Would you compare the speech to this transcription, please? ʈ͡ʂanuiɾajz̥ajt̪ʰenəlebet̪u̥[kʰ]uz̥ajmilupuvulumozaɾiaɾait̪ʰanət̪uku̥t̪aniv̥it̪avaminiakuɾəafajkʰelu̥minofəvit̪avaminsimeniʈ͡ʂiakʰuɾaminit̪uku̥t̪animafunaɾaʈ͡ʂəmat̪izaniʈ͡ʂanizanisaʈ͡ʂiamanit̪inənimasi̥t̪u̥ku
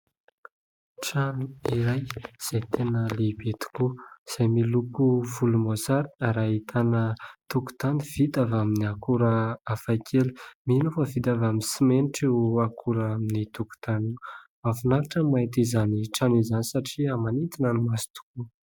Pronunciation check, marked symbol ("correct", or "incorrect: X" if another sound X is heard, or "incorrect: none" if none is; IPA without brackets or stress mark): incorrect: k